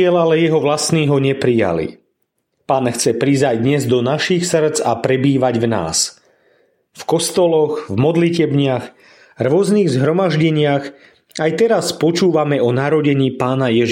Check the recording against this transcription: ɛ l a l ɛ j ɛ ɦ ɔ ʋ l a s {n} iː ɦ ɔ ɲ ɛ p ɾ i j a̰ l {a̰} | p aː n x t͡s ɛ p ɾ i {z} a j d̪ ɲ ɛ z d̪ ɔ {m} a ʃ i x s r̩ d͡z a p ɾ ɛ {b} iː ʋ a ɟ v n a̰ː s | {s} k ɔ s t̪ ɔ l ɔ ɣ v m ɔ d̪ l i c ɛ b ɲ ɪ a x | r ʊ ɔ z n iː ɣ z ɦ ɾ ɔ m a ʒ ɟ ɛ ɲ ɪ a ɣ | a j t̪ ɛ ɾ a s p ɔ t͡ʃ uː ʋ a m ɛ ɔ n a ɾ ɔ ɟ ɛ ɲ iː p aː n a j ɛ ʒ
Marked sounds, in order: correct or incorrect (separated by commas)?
correct, incorrect, correct, incorrect, correct, incorrect